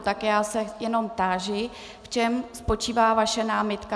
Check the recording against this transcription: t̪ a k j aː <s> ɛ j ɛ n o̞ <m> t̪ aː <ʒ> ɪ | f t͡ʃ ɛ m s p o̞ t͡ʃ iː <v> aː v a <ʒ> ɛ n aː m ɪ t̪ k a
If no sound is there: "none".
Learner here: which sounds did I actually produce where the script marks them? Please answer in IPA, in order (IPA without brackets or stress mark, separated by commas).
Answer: s, m, ʒ, v, ʃ